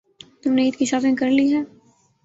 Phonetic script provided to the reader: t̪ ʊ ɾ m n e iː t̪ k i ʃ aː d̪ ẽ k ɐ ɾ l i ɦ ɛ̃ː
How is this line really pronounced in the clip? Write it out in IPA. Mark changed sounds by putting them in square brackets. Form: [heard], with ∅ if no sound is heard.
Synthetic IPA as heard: t̪ ʊ [∅] m n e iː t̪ k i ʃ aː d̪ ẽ k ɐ ɾ l i ɦ [ɛː]

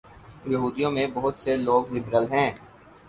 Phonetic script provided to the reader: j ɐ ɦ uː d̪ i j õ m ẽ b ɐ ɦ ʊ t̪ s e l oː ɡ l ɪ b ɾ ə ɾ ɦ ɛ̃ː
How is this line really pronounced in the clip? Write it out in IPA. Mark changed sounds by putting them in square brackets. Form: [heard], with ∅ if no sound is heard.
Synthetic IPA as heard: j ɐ ɦ uː d̪ i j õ m ẽ b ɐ ɦ ʊ t̪ s e l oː ɡ l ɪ b ɾ ə [l] ɦ ɛ̃ː

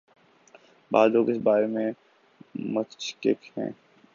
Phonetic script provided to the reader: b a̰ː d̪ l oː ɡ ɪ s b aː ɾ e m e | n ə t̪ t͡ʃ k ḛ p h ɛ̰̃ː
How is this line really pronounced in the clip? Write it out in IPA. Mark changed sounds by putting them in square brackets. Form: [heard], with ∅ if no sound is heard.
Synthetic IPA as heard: b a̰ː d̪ l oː ɡ ɪ s b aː ɾ e m [ẽ] | [m] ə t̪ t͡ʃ k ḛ [k] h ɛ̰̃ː

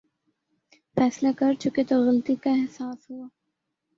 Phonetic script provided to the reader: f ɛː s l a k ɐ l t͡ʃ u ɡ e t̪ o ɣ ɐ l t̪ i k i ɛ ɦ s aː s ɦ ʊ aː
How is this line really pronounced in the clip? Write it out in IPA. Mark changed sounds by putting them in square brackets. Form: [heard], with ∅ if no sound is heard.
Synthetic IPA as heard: f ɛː s l a k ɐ [ɾ] t͡ʃ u [k] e t̪ o ɣ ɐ l t̪ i k [a] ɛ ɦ s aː s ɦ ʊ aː

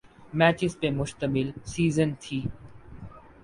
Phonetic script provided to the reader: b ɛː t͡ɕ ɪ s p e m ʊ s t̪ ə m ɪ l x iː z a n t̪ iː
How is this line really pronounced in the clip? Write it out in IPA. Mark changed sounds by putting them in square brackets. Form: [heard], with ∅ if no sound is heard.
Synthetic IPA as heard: [m] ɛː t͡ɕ ɪ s p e m ʊ [ʃ] t̪ ə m ɪ l [s] iː z [ə] n [t̪ʰ] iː

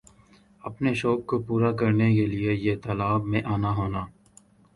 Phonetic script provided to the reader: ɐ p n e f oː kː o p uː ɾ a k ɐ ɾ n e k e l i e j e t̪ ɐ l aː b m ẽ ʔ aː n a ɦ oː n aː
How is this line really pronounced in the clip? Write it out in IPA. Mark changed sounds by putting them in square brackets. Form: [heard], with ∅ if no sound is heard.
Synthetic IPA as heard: ɐ p n e [ʃ] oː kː o p uː ɾ a k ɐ ɾ n e k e l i e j e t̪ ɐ l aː b m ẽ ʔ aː n a ɦ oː n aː

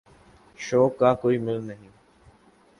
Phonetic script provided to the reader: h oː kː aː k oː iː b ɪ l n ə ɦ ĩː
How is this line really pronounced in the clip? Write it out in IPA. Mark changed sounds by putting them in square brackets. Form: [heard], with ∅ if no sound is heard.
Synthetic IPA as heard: [ʃ] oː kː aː k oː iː [m] ɪ l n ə ɦ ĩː

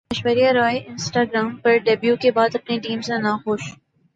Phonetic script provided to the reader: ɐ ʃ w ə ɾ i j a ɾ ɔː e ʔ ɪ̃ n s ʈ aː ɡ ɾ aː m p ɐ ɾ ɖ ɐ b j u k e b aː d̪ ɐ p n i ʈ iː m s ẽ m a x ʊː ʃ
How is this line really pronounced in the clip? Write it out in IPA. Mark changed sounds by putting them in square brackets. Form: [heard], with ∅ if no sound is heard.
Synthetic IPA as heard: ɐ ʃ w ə ɾ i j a ɾ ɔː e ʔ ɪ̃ n s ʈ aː ɡ ɾ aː m p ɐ ɾ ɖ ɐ b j u k e b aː d̪ ɐ p n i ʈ iː m s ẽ [n] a x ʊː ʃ

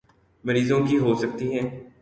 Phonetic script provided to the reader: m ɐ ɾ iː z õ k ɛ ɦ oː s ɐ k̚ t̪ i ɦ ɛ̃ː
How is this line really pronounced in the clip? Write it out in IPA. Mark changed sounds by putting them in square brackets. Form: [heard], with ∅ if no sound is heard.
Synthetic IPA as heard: m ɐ ɾ iː z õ k [i] ɦ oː s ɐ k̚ t̪ i ɦ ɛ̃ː

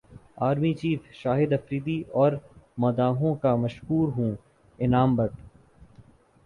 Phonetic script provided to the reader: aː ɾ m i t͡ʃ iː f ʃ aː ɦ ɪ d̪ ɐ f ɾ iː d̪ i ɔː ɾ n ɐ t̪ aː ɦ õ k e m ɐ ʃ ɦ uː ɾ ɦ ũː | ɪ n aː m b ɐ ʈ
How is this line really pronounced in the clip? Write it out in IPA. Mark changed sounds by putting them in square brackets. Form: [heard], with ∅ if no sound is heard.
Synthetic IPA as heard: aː ɾ m i t͡ʃ iː f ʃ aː ɦ ɪ d̪ ɐ f ɾ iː d̪ i ɔː ɾ [m] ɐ [d̪] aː ɦ õ k [a] m ɐ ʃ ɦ uː ɾ ɦ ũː | ɪ n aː m b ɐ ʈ

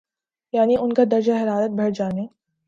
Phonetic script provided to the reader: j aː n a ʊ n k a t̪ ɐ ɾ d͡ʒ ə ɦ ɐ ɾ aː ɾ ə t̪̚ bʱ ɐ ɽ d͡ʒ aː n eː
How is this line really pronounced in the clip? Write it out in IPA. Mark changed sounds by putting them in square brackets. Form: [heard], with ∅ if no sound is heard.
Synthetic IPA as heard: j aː n [i] ʊ n k a [d̪] ɐ ɾ d͡ʒ [a] ɦ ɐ ɾ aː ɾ ə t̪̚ bʱ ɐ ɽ d͡ʒ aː n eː

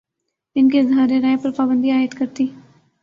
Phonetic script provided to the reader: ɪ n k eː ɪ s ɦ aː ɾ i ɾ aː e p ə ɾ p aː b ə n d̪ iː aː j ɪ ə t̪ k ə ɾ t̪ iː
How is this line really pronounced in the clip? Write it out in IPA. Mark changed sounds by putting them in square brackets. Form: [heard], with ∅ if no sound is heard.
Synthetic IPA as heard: ɪ n k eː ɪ [z] ɦ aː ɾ [e] ɾ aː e p ə ɾ p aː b ə n d̪ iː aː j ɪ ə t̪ k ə ɾ t̪ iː

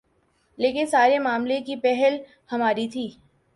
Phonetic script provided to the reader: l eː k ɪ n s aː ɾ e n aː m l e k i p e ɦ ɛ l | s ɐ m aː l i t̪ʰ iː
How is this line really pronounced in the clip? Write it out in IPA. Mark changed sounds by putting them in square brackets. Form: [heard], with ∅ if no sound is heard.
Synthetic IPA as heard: l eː k ɪ n s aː ɾ e [m] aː m l e k i p [ɛ] ɦ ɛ l | [h] ɐ m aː [ɾ] i t̪ʰ iː

